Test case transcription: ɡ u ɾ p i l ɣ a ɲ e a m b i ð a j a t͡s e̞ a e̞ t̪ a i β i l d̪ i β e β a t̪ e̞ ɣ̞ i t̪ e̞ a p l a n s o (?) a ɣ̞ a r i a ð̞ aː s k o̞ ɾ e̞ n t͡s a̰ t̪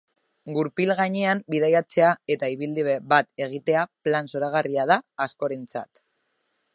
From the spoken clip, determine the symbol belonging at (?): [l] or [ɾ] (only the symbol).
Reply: ɾ